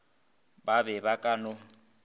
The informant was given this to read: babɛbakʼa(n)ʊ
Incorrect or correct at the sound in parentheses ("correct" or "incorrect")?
correct